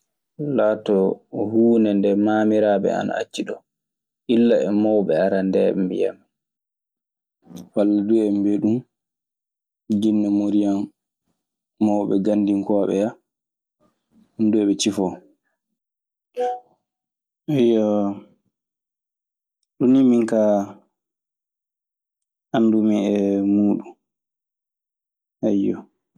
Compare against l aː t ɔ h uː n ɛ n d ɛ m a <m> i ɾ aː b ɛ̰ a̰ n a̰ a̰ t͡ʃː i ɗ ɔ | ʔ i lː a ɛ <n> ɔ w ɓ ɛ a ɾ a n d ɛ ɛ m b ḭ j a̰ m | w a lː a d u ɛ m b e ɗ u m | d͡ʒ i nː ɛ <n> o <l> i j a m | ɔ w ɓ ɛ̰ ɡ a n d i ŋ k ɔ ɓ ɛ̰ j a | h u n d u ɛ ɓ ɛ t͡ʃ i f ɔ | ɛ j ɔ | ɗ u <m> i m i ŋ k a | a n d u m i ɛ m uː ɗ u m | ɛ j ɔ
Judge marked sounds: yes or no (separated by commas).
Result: yes, no, no, no, no